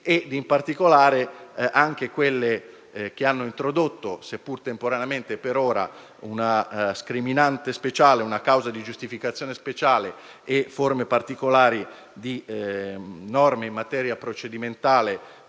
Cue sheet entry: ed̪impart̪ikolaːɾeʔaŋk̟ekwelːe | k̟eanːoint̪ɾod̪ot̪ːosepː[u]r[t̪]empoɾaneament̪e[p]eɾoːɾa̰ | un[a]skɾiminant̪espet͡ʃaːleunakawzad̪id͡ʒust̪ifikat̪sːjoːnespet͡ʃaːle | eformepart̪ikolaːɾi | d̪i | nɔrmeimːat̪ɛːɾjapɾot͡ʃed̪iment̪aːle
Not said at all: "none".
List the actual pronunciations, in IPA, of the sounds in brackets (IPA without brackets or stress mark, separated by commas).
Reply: u, t̪, p, a